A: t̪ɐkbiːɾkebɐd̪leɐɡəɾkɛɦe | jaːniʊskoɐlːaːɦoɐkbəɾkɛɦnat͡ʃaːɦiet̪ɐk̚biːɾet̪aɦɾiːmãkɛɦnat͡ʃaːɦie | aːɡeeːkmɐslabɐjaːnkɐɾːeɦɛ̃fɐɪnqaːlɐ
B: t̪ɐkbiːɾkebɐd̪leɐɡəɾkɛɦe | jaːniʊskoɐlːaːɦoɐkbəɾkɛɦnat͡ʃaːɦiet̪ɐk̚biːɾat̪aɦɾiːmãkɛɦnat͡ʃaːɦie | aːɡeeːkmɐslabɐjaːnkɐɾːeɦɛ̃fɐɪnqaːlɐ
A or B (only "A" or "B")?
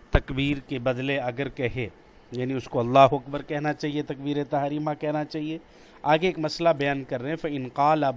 A